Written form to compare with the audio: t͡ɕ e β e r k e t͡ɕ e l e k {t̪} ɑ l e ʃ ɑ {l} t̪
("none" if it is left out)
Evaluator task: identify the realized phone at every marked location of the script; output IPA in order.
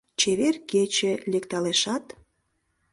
t̪, none

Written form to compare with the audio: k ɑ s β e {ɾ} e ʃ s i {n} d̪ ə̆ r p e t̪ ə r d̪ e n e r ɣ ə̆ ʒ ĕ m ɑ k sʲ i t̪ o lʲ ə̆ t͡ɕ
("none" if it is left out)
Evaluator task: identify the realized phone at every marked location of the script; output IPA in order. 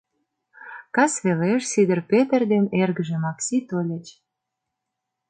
l, none

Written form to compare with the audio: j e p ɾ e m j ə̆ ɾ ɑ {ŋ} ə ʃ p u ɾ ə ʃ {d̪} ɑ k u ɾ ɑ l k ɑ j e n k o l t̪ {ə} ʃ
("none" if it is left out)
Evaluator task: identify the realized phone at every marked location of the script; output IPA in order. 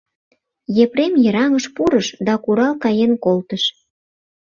ŋ, d̪, ə

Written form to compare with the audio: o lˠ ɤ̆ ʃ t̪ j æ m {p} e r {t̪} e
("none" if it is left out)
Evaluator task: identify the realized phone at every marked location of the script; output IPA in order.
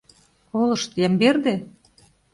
b, d̪

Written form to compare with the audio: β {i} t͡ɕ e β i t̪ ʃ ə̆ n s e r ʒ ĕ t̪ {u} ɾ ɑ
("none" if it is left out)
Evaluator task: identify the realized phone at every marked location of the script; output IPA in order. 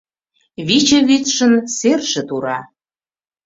i, u

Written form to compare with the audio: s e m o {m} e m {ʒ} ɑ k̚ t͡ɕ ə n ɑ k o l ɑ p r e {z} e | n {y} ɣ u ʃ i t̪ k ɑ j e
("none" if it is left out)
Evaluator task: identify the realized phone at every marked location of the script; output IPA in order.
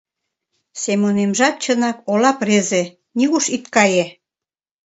n, ʒ, z, i

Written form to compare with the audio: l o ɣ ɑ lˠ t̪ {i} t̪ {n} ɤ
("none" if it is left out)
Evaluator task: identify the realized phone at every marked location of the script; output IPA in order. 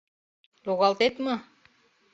e, m

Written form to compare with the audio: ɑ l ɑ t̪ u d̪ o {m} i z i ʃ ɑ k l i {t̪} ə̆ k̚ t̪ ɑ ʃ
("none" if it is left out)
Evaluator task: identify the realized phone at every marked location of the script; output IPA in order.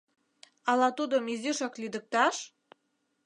m, d̪

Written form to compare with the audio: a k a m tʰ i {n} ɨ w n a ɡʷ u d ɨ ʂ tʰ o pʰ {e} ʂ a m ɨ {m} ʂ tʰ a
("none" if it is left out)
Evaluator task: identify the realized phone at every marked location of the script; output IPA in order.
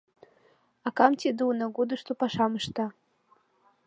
d, a, none

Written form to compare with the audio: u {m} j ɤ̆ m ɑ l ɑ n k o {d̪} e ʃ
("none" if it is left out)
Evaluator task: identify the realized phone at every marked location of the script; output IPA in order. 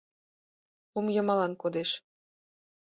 m, d̪

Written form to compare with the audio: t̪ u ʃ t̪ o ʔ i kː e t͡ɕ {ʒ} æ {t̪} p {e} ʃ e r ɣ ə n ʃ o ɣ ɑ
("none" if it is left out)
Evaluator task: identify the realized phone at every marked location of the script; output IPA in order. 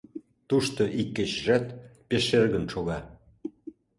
ʒ, t̪, e

